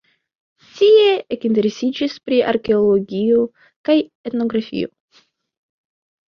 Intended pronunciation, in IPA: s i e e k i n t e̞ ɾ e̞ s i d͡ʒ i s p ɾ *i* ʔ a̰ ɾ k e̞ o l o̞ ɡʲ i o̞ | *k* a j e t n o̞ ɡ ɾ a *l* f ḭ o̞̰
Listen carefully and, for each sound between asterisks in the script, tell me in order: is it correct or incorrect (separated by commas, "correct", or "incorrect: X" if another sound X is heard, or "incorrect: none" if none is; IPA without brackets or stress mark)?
correct, correct, incorrect: none